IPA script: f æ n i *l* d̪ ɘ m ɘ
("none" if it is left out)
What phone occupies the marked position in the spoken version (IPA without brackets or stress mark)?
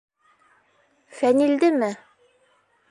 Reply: l